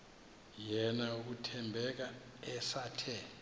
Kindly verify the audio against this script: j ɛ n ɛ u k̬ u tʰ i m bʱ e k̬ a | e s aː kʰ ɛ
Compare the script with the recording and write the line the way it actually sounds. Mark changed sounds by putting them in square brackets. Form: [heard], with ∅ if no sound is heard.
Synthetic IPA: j ɛ n [a] u k̬ u tʰ [ɛ] m bʱ [ɛ] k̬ a | [ɛ] s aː [tʰ] ɛ